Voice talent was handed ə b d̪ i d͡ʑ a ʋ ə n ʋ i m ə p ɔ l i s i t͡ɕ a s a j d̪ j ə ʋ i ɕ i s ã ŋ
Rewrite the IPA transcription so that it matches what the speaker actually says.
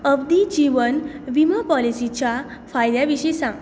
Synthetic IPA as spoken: ə b d̪ i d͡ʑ i ʋ ə n ʋ i m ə p ɔ l i s i t͡ɕ a f a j d̪ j a ʋ i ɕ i s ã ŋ